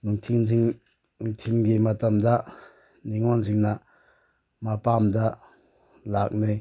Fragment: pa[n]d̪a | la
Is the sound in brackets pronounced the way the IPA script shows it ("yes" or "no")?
no